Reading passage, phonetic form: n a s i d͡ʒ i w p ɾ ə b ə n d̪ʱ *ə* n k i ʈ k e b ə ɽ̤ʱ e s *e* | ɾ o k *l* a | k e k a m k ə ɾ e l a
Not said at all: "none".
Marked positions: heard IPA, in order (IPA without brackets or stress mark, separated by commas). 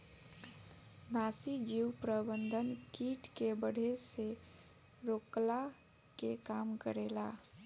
ə, e, l